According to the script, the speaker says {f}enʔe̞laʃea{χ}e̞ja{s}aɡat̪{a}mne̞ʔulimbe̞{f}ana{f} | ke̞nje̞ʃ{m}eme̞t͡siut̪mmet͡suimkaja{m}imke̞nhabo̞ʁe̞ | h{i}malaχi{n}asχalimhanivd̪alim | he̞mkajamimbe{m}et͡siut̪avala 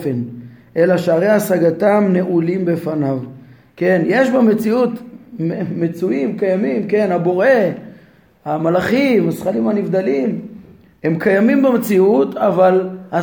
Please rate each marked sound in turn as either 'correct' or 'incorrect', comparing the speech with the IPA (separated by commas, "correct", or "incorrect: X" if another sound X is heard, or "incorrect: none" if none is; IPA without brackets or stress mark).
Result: correct, incorrect: ʁ, correct, correct, correct, incorrect: v, incorrect: b, correct, incorrect: a, incorrect: m, correct